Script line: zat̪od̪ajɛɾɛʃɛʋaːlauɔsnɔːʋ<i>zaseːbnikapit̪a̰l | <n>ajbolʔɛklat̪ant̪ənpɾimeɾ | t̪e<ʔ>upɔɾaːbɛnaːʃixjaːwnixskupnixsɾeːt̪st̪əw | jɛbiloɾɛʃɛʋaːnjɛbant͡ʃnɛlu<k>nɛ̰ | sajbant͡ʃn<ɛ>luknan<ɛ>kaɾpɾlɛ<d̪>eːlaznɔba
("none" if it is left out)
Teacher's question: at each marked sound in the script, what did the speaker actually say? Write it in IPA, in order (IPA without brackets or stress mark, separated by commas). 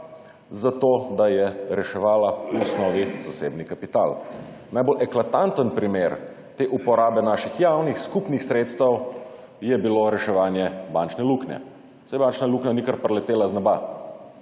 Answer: i, n, ʔ, k, a, i, t̪